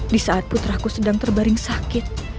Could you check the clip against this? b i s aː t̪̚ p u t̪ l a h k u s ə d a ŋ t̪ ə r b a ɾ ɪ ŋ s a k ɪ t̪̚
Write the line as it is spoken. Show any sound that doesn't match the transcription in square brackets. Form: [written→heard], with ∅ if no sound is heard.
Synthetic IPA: [b→d] i s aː t̪̚ p u t̪ [l→ɾ] a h k u s ə d a ŋ t̪ ə r b a ɾ ɪ ŋ s a k ɪ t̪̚